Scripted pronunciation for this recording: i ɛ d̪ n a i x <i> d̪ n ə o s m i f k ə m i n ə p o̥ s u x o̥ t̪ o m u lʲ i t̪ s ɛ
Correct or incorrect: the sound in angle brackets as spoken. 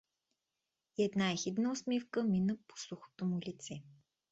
correct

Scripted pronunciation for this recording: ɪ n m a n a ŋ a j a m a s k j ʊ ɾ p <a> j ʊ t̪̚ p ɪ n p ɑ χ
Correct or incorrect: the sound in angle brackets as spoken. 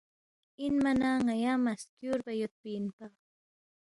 correct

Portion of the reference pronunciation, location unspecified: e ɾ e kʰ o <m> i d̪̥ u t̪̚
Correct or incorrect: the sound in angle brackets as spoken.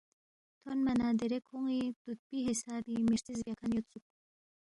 incorrect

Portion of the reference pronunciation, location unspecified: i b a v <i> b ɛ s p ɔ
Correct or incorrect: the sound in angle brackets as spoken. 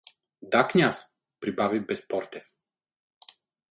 correct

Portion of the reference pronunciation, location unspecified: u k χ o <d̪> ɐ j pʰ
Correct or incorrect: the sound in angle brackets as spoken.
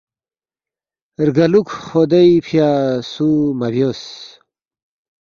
correct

